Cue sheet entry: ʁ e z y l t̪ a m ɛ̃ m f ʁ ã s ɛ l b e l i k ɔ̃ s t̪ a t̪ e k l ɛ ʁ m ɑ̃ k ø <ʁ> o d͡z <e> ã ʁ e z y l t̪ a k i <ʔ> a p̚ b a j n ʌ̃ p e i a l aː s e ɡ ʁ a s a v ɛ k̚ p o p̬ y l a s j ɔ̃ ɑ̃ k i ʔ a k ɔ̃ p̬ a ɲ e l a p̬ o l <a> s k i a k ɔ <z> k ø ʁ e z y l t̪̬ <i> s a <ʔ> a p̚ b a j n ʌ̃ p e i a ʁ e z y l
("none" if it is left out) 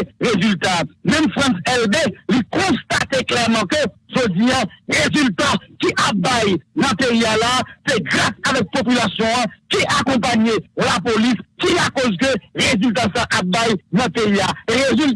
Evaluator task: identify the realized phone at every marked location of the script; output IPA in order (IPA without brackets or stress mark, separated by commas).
ʒ, i, ʔ, i, z, a, ʔ